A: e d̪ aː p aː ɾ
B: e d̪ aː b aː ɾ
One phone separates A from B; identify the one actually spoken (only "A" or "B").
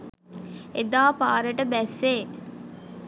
A